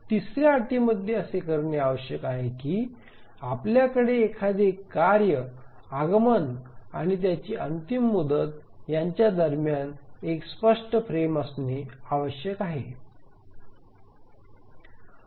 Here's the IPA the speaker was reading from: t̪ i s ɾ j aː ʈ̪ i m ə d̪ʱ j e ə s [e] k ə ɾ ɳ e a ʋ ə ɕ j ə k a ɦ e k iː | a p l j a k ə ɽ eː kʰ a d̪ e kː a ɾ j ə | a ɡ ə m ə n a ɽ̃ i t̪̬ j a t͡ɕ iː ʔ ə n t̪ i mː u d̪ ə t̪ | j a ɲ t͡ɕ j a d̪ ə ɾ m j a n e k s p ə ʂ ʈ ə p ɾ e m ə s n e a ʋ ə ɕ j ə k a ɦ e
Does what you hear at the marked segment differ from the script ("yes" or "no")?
no